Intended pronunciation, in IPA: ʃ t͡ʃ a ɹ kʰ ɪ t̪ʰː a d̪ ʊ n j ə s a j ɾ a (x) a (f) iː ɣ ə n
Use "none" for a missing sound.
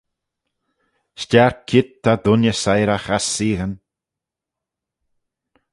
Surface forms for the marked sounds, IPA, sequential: x, s

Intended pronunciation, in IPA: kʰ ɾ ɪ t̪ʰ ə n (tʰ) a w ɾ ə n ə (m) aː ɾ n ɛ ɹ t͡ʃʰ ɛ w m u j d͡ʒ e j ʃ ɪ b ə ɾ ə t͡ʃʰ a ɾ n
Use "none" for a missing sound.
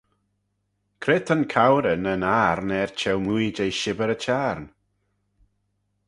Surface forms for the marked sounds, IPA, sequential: kʰ, n

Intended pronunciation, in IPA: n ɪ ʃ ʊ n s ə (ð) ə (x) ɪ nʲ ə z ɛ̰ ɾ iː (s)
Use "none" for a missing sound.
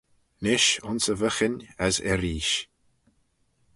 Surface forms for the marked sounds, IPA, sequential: v, x, ʃ

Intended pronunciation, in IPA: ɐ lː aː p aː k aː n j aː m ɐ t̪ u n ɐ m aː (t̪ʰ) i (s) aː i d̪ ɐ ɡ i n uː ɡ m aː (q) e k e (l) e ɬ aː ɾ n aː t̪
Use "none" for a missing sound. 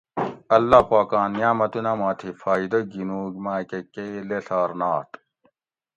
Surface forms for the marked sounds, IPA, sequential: t̪ʰ, f, k, l

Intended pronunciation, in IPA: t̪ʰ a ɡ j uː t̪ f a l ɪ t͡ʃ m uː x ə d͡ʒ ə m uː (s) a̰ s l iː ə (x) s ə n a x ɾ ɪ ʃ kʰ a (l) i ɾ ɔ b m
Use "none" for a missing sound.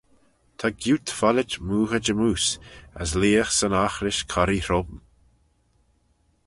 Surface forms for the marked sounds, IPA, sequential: s, x, ɾ

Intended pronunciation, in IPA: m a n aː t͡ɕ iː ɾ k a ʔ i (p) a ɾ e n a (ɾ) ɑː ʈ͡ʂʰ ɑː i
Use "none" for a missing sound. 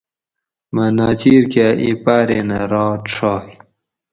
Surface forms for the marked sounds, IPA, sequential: p, ɾ

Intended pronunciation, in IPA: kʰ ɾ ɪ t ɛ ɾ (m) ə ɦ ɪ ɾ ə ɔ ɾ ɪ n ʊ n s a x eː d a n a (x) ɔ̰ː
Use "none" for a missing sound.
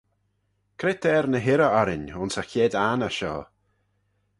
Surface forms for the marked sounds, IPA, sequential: n, ʃ

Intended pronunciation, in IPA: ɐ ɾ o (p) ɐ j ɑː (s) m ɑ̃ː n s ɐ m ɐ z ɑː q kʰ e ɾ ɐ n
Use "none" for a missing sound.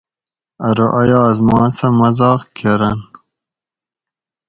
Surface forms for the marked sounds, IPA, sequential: ʔ, z

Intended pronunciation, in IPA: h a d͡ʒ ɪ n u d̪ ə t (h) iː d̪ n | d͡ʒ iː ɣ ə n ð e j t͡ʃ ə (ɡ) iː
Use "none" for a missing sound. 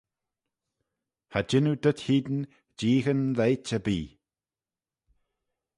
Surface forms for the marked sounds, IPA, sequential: h, b

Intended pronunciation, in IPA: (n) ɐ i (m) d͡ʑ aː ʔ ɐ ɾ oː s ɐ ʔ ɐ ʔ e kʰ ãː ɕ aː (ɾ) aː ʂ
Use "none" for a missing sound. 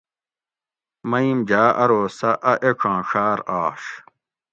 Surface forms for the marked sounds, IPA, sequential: m, m, ɾ

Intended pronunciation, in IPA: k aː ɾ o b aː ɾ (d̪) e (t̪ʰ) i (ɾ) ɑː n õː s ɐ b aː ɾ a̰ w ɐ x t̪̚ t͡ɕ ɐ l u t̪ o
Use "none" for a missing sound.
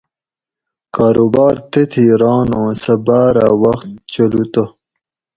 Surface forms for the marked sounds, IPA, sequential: t̪, t̪ʰ, ɾ

